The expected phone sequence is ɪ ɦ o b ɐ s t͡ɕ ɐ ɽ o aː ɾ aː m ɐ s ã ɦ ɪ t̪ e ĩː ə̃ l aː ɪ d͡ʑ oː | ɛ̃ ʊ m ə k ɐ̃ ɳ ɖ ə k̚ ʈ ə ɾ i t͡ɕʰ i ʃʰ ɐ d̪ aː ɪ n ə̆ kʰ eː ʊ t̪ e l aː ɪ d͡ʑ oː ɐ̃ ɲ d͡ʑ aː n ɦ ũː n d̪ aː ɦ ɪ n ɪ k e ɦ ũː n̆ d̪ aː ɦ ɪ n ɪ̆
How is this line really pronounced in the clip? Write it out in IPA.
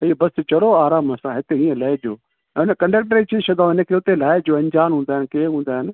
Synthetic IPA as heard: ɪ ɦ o b ɐ s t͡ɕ ɐ ɽ o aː ɾ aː m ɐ s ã ɦ ɪ t̪ e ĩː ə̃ l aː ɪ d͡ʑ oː | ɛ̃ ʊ n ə k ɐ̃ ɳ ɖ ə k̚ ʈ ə ɾ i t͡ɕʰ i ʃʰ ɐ d̪ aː ɪ n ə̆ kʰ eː ʊ t̪ e l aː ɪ d͡ʑ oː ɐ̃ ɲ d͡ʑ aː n ɦ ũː n d̪ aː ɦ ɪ n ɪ k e ɦ ũː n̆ d̪ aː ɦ ɪ n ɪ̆